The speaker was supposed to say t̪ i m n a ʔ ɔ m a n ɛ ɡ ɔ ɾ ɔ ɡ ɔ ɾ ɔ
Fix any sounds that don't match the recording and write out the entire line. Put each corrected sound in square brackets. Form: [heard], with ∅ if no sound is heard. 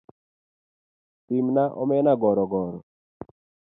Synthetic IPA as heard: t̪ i m n a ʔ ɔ m [ɛ] n [a] ɡ ɔ ɾ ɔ ɡ ɔ ɾ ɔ

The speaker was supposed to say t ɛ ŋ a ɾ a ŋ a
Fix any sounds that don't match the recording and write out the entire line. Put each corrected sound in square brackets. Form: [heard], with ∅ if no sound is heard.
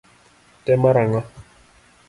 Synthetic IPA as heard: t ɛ [m] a ɾ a ŋ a

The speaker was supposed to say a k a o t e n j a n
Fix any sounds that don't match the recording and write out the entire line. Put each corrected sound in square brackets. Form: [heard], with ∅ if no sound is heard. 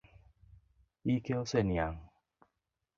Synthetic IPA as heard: [i] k [e] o [s] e n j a [ŋ]

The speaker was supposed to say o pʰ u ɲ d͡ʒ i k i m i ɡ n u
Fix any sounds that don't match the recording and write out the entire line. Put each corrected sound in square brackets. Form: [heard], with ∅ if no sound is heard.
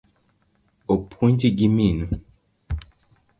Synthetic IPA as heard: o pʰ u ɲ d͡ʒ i [ɡ] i m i [∅] n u

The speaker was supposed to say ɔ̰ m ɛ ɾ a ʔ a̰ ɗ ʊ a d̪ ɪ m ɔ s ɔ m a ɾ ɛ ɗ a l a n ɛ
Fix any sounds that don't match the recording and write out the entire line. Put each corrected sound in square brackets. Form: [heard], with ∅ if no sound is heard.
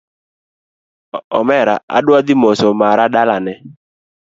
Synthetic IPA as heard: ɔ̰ m ɛ ɾ a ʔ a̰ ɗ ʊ a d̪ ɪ m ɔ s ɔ m a ɾ [a] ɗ a l a n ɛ

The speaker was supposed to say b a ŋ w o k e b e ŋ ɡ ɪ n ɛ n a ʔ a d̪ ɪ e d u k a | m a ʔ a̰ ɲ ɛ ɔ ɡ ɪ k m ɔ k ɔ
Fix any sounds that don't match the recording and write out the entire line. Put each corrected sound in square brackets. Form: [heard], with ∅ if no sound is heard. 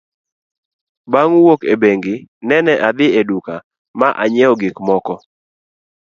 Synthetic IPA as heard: b a ŋ w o k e b e ŋ ɡ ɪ n ɛ n [ɛ] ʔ a d̪ ɪ e d u k a | m a ʔ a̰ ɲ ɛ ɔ ɡ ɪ k m ɔ k ɔ

